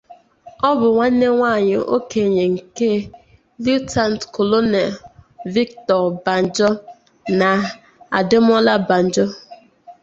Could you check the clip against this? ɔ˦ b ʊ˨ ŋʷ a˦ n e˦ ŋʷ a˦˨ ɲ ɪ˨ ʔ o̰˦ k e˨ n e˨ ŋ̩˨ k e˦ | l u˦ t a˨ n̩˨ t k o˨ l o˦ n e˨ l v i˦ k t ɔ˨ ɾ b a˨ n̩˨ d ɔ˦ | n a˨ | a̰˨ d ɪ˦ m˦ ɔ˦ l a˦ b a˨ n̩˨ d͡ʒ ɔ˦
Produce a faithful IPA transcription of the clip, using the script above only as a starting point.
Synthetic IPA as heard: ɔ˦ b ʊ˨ ŋʷ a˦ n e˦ ŋʷ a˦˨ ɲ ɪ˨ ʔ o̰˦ k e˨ ɲ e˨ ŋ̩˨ k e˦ | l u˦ t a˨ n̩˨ t k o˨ l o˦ n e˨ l v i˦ k t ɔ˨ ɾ b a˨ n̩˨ d͡ʒ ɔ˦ | n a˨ | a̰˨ d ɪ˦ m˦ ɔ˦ l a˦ b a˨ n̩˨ d͡ʒ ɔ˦